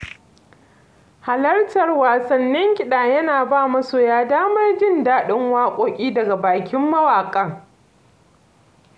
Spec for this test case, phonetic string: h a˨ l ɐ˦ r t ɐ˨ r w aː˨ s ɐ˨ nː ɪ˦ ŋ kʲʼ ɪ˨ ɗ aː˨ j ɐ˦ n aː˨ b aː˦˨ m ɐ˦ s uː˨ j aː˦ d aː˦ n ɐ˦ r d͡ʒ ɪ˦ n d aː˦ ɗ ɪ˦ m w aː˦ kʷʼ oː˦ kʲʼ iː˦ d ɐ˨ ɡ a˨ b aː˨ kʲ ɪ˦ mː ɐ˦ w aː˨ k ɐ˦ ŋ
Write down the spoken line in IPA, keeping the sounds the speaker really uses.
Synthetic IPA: h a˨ l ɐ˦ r t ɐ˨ r w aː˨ s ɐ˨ nː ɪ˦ ŋ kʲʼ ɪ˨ ɗ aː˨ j ɐ˦ n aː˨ b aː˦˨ m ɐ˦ s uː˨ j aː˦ d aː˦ m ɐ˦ r d͡ʒ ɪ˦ n d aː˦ ɗ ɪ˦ ŋ w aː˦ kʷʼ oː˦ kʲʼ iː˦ d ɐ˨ ɡ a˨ b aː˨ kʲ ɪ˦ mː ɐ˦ w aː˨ kʼ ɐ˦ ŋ